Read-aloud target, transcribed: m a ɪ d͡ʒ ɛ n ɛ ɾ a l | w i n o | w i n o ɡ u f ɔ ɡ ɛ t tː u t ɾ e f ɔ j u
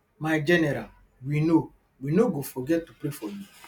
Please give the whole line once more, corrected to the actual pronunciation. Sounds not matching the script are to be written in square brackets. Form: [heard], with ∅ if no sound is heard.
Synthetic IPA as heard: m a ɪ d͡ʒ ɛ n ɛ ɾ a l | w i n o | w i n o ɡ [o] f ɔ ɡ ɛ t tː u [p] ɾ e f ɔ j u